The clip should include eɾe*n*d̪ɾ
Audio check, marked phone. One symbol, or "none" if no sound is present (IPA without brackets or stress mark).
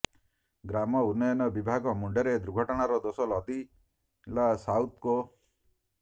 none